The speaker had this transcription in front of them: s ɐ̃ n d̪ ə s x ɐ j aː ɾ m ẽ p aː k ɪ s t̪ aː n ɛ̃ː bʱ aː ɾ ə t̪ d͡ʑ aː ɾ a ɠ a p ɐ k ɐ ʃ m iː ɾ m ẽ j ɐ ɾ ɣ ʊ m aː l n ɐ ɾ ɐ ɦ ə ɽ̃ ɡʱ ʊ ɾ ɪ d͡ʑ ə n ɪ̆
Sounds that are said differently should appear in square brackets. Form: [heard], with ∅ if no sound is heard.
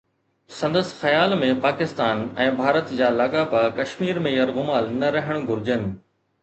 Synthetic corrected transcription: s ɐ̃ n d̪ ə s x ɐ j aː [l] m ẽ p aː k ɪ s t̪ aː n ɛ̃ː bʱ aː ɾ ə t̪ d͡ʑ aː [l] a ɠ a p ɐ k ɐ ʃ m iː ɾ m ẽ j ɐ ɾ ɣ ʊ m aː l n ɐ ɾ ɐ ɦ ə ɽ̃ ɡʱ ʊ ɾ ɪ d͡ʑ ə n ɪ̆